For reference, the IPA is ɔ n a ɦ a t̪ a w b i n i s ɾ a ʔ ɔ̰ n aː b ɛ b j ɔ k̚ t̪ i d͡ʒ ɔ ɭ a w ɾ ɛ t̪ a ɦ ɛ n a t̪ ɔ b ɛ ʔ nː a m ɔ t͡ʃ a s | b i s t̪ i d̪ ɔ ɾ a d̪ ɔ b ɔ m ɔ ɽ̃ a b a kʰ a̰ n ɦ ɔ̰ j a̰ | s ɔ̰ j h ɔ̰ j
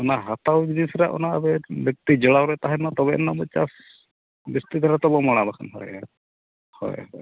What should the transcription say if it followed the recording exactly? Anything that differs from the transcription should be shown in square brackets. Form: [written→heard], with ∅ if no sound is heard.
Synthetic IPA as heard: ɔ n a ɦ a t̪ a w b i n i s ɾ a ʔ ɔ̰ n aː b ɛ b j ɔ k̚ t̪ i d͡ʒ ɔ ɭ a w ɾ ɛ t̪ a ɦ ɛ n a t̪ ɔ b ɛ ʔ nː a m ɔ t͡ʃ a s | b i s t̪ i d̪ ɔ ɾ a [d̪→t̪] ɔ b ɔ m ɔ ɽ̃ a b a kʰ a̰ n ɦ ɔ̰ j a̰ | [s→h] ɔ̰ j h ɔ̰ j

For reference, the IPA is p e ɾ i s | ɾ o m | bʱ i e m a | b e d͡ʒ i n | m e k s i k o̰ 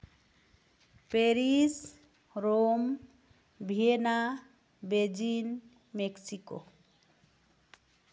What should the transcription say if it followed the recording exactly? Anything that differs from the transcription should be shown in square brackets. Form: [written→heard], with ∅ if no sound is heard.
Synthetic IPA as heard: p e ɾ i s | ɾ o m | bʱ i e [m→n] a | b e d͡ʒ i n | m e k s i k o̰

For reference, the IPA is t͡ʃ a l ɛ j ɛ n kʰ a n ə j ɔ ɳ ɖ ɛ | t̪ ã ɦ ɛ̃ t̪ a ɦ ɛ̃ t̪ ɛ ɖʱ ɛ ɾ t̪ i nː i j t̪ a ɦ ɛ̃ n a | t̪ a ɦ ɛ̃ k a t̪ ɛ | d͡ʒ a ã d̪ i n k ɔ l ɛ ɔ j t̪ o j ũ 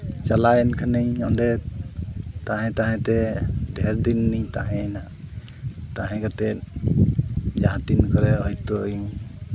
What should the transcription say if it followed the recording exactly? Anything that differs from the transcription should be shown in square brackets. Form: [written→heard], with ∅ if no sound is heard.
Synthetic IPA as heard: t͡ʃ a l [ɛ→a] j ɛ n kʰ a n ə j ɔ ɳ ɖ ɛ | t̪ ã ɦ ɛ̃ t̪ a ɦ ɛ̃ t̪ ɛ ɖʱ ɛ ɾ [t̪→d̪] i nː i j t̪ a ɦ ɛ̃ n a | t̪ a ɦ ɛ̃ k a t̪ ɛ | d͡ʒ a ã [d̪→t̪] i n k ɔ [l→ɾ] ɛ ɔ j t̪ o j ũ

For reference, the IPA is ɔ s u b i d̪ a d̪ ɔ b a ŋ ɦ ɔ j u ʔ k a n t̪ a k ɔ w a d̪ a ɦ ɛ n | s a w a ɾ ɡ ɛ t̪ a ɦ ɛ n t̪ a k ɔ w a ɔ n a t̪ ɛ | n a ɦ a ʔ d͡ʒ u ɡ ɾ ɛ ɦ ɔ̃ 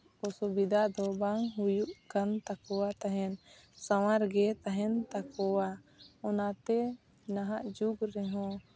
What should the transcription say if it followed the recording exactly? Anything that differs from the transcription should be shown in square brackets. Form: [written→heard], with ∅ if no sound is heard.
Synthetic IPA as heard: ɔ s u b i d̪ a d̪ ɔ b a ŋ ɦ [ɔ→u] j u ʔ k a n t̪ a k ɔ w a [d̪→t̪] a ɦ ɛ n | s a w a ɾ ɡ ɛ t̪ a ɦ ɛ n t̪ a k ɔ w a ɔ n a t̪ ɛ | n a ɦ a ʔ d͡ʒ u ɡ ɾ ɛ ɦ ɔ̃

